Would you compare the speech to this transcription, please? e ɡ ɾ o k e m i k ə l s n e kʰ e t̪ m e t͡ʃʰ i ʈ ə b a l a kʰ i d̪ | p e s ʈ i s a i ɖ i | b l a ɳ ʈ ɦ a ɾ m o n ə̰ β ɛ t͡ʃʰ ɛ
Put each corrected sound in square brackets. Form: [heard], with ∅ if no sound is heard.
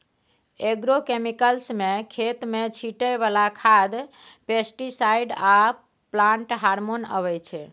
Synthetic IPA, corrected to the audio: e ɡ ɾ o k e m i k ə l s [m] e kʰ e t̪ m e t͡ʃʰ i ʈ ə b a l a kʰ [a] d̪ | p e s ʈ i s a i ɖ [a] | [p] l a ɳ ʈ ɦ a ɾ m o n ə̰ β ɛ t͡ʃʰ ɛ